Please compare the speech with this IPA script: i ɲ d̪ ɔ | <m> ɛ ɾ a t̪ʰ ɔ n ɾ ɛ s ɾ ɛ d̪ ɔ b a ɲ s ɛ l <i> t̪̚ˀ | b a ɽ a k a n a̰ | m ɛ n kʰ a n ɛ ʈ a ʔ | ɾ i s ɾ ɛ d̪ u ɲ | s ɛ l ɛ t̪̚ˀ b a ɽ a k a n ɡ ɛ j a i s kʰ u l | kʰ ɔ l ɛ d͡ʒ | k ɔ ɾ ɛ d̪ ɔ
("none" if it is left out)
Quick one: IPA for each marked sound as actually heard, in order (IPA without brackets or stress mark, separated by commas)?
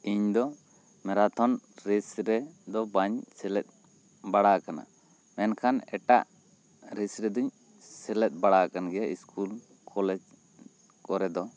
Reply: m, ɛ